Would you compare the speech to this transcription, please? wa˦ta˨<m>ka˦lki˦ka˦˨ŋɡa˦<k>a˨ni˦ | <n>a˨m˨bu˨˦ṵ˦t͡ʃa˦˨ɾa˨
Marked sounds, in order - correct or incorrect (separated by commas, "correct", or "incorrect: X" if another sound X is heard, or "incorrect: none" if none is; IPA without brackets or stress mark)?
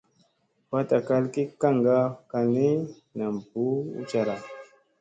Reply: incorrect: none, correct, correct